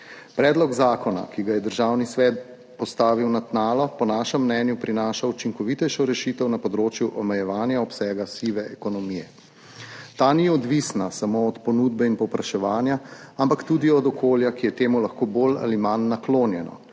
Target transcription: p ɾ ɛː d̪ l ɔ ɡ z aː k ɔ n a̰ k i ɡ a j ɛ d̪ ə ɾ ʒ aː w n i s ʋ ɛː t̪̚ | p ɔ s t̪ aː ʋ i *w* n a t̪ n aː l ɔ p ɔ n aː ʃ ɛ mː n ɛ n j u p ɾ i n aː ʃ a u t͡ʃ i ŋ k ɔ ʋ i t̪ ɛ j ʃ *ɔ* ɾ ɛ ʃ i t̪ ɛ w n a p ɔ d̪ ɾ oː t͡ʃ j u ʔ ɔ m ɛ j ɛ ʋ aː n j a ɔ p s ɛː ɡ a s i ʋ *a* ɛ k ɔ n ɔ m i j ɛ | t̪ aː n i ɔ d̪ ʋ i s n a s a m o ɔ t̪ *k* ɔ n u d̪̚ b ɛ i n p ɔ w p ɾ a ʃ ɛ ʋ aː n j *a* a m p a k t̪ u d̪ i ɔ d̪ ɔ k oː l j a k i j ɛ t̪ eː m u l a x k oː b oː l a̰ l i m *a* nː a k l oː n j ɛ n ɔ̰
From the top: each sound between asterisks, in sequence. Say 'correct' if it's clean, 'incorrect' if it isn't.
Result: correct, correct, incorrect: ɛ, incorrect: p, correct, correct

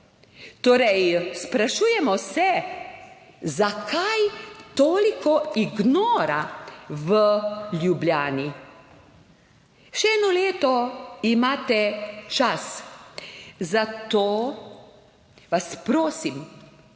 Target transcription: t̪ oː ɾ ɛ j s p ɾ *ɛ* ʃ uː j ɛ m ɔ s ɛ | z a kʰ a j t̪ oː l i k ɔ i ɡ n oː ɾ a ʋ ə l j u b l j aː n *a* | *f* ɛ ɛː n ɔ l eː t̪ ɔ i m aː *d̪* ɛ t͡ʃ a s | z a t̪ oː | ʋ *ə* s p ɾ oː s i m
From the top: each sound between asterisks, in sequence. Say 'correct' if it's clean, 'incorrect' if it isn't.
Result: incorrect: a, incorrect: i, incorrect: ʃ, incorrect: t̪, incorrect: a

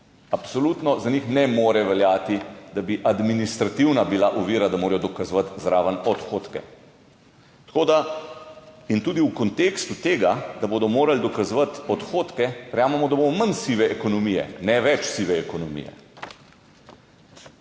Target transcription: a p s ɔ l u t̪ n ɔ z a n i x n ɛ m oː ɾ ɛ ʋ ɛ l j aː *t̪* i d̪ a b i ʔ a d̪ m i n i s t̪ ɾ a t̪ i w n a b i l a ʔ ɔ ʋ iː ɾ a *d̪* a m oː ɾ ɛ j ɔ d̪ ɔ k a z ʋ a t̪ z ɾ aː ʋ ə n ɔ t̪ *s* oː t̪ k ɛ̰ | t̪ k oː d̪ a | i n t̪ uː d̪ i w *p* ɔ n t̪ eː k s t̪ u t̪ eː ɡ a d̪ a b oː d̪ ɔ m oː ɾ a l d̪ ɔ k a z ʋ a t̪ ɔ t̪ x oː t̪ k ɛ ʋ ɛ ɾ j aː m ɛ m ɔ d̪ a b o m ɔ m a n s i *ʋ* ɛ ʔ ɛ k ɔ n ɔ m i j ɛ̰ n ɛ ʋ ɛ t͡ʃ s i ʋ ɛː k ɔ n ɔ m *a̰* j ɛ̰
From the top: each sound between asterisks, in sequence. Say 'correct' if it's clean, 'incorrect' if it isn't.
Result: correct, correct, incorrect: x, incorrect: k, correct, incorrect: ḭ

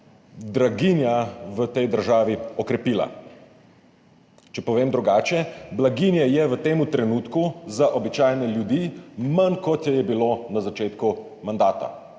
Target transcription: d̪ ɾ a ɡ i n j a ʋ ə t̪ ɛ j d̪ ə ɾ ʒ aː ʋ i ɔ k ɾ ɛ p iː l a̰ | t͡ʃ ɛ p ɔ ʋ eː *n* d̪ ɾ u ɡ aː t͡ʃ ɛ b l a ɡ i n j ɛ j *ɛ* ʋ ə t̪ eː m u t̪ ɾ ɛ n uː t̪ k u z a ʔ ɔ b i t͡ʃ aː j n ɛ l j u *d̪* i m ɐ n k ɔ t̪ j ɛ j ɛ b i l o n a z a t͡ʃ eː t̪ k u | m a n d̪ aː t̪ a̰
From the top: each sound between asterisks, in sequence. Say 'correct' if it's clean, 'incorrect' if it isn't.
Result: incorrect: m, correct, correct

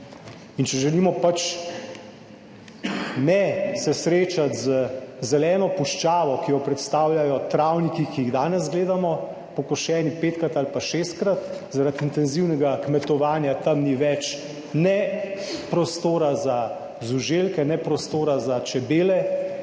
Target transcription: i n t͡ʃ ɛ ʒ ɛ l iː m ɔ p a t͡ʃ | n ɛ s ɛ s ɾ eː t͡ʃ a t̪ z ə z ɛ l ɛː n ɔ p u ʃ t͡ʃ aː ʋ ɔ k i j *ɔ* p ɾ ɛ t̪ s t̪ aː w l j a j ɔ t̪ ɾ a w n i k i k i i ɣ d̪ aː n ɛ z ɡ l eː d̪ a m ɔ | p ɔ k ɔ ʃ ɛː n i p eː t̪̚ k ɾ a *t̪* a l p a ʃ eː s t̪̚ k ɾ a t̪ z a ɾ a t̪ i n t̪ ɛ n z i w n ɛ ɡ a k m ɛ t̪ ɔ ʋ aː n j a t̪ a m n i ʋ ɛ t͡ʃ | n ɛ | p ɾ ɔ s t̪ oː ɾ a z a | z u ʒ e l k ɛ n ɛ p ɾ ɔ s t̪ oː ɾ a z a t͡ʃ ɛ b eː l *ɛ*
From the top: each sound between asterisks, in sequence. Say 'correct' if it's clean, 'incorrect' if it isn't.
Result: correct, correct, correct

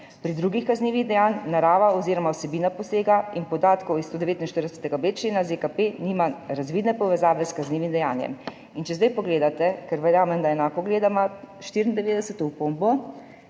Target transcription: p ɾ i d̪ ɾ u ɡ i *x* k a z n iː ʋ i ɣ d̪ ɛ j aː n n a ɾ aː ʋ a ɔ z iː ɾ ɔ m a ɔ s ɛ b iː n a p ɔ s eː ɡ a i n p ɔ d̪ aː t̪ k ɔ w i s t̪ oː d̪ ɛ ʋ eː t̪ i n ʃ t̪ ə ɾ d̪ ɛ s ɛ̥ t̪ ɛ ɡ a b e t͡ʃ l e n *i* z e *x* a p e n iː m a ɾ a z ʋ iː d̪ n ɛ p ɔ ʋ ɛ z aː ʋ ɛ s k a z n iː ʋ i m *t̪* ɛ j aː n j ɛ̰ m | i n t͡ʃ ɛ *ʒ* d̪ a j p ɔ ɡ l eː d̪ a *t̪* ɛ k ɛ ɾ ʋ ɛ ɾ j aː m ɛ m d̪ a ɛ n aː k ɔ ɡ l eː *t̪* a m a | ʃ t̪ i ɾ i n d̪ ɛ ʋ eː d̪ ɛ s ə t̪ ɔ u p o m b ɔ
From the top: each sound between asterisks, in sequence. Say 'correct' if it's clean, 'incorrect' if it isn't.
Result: correct, incorrect: a, incorrect: k, incorrect: d̪, incorrect: z, correct, incorrect: d̪

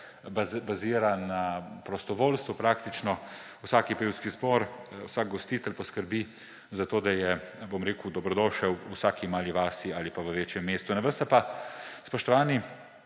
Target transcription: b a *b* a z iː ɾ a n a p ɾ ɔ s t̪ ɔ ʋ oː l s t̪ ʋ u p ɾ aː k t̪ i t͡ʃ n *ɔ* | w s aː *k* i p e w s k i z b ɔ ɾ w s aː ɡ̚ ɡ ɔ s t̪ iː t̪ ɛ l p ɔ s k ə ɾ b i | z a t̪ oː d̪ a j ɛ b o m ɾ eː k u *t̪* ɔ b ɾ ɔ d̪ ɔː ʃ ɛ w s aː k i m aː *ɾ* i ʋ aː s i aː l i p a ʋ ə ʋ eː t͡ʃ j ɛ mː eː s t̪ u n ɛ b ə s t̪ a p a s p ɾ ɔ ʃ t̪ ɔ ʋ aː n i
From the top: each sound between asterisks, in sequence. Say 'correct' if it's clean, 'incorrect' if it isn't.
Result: correct, correct, correct, incorrect: d̪, incorrect: l

